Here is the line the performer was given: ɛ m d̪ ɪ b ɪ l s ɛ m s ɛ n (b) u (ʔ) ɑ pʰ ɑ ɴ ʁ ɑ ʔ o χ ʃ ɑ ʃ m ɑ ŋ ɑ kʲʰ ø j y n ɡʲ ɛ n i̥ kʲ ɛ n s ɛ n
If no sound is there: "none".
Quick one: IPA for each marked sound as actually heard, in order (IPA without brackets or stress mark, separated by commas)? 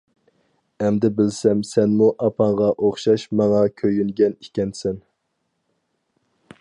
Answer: m, ʔ